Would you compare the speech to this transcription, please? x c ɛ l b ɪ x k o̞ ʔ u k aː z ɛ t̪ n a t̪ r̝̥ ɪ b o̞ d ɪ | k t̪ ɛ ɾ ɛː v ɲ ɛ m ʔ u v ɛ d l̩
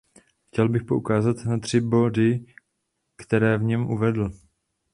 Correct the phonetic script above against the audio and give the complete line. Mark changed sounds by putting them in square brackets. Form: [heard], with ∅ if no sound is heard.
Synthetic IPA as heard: x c ɛ l b ɪ x [p] o̞ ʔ u k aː z [a] t̪ n a t̪ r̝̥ ɪ b o̞ d ɪ | k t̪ ɛ ɾ ɛː v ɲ ɛ m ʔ u v ɛ d l̩

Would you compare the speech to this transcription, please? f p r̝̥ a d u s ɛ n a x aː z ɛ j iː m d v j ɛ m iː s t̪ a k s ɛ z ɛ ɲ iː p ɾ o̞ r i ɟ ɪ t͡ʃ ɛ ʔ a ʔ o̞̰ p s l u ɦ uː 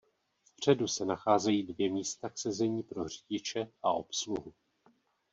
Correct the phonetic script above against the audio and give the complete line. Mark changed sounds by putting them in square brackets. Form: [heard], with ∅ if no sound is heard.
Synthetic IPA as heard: f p r̝̥ [ɛ] d u s ɛ n a x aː z ɛ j iː [∅] d v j ɛ m iː s t̪ a k s ɛ z ɛ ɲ iː p ɾ o̞ r i ɟ ɪ t͡ʃ ɛ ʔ a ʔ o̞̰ p s l u ɦ [u]

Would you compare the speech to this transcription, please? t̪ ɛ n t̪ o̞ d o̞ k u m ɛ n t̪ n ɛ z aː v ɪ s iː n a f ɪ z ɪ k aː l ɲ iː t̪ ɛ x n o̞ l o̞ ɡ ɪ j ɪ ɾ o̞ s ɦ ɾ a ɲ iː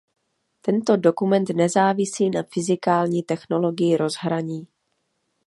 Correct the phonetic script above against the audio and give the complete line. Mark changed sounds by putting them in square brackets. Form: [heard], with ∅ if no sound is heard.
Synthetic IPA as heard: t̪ ɛ n t̪ o̞ d o̞ k u m ɛ n t̪ n ɛ z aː v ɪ s iː n a f ɪ z ɪ k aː l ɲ iː t̪ ɛ x n o̞ l o̞ ɡ ɪ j ɪ ɾ o̞ [z] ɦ ɾ a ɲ iː

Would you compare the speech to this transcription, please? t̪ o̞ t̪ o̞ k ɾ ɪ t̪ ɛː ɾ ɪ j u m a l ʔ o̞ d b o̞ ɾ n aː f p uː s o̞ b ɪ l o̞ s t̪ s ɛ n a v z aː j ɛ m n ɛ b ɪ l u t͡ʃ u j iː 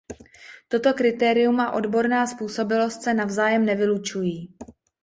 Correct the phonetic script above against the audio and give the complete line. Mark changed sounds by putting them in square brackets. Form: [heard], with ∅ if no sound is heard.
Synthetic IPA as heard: t̪ o̞ t̪ o̞ k ɾ ɪ t̪ ɛː ɾ ɪ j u m a [∅] ʔ o̞ d b o̞ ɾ n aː [s] p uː s o̞ b ɪ l o̞ s t̪ s ɛ n a v z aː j ɛ m n ɛ [v] ɪ l u t͡ʃ u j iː

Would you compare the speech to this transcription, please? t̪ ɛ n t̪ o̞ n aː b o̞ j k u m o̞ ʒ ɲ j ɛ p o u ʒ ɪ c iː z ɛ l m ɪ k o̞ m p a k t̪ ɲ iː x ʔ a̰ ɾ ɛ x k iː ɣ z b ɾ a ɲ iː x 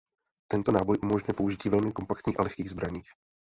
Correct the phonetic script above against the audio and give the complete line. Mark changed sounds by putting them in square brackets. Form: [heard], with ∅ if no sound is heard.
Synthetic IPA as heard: t̪ ɛ n t̪ o̞ n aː b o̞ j [ʔ] u m o̞ ʒ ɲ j ɛ p o u ʒ ɪ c iː [v] ɛ l m ɪ k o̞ m p a k t̪ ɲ iː x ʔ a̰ [l] ɛ x k iː ɣ z b ɾ a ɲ iː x

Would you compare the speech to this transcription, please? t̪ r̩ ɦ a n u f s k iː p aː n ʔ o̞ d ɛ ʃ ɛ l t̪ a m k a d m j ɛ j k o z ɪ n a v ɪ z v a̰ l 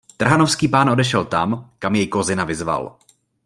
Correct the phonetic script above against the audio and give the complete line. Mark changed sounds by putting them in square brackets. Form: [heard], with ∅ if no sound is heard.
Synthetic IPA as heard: t̪ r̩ ɦ a n [o] f s k iː p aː n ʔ o̞ d ɛ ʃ ɛ l t̪ a m k a [∅] m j ɛ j k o z ɪ n a v ɪ z v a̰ l

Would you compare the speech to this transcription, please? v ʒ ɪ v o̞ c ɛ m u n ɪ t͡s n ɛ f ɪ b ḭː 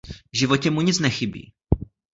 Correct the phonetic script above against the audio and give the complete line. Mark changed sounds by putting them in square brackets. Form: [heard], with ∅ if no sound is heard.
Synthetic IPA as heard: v ʒ ɪ v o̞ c ɛ m u [ɲ] ɪ t͡s n ɛ [x] ɪ b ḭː

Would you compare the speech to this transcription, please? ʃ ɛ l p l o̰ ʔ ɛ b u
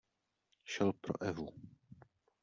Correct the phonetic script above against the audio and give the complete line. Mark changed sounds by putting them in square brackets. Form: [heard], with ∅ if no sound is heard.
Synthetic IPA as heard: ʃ ɛ l p [ɾ] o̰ ʔ ɛ [v] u

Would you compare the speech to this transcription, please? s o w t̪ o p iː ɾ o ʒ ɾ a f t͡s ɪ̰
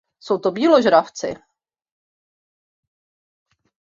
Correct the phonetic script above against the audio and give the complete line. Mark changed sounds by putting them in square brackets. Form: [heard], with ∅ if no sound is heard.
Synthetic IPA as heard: s o w t̪ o [b] iː [l] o ʒ ɾ a f t͡s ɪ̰

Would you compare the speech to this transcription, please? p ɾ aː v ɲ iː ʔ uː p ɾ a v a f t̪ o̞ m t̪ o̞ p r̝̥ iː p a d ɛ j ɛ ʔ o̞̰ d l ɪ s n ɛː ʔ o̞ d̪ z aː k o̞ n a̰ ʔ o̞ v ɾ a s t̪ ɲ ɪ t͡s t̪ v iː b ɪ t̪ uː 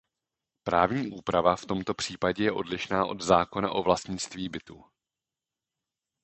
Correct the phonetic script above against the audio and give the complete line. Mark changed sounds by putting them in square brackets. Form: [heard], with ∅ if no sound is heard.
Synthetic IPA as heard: p ɾ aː v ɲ iː ʔ uː p ɾ a v a f t̪ o̞ m t̪ o̞ p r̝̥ iː p a [ɟ] ɛ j ɛ ʔ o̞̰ d l ɪ [ʃ] n [aː] ʔ o̞ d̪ z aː k o̞ n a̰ ʔ o̞ v [l] a s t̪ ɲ ɪ t͡s t̪ v iː b ɪ t̪ uː

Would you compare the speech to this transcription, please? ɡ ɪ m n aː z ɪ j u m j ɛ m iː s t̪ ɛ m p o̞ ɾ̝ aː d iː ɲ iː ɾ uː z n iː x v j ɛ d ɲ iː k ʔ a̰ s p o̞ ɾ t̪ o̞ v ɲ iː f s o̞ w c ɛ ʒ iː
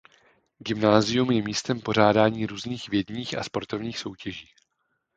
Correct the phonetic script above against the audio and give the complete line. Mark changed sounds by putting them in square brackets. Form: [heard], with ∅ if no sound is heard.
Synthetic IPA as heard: ɡ ɪ m n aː z ɪ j u m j ɛ m iː s t̪ ɛ m p o̞ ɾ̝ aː d [aː] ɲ iː ɾ uː z n iː x v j ɛ d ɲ iː [x] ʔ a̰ s p o̞ ɾ t̪ o̞ v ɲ iː [x] s o̞ w c ɛ ʒ iː

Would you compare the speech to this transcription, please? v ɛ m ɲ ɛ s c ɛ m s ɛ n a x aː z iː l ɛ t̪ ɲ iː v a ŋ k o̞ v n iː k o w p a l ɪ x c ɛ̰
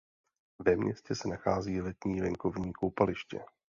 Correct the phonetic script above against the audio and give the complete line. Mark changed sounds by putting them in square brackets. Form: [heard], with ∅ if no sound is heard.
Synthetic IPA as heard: v ɛ m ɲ ɛ s c ɛ [∅] s ɛ n a x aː z iː l ɛ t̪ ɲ iː v [ɛ] ŋ k o̞ v [ɲ] iː k o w p a l ɪ [ʃ] c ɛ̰

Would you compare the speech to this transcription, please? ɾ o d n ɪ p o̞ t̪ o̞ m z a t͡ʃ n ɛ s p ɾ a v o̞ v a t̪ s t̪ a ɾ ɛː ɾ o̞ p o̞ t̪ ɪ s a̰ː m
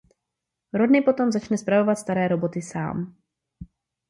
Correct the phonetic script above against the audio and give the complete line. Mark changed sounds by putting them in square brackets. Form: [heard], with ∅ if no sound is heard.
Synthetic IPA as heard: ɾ o d n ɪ p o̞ t̪ o̞ m z a t͡ʃ n ɛ s p ɾ a v o̞ v a t̪ s t̪ a ɾ ɛː ɾ o̞ [b] o̞ t̪ ɪ s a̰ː m

